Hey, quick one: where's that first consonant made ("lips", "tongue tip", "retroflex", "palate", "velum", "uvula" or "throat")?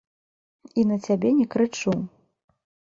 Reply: tongue tip